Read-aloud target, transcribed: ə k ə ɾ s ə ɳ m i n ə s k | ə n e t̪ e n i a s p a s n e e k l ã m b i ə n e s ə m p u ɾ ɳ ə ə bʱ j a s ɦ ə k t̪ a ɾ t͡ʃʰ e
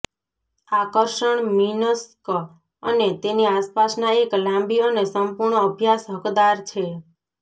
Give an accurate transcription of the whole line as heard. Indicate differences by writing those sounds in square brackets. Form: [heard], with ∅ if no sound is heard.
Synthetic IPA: [a] k ə ɾ [ʃ] ə ɳ m i n ə s k | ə n e t̪ e n i a s p a s n [a] e k l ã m b i ə n e s ə m p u ɾ ɳ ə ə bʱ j a s ɦ ə k [d̪] a ɾ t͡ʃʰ e